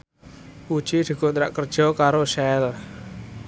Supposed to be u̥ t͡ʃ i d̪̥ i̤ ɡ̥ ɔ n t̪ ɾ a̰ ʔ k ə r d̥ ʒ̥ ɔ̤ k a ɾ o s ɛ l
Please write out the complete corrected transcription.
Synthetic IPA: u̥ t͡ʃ i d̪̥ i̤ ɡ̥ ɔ n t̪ ɾ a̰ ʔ k ə r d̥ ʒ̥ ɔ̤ k a ɾ o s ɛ l